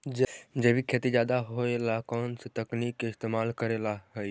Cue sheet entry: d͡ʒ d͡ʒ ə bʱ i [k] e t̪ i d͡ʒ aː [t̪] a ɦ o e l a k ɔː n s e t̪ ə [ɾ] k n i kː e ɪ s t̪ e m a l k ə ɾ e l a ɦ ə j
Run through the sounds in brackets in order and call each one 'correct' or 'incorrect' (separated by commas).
incorrect, incorrect, incorrect